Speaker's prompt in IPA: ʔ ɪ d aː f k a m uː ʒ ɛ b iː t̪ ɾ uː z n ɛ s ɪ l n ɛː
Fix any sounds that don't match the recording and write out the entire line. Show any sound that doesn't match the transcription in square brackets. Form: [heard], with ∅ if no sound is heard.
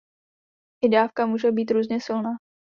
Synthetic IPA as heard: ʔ ɪ d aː f k a m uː ʒ ɛ b iː t̪ ɾ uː z [ɲ] ɛ s ɪ l n [aː]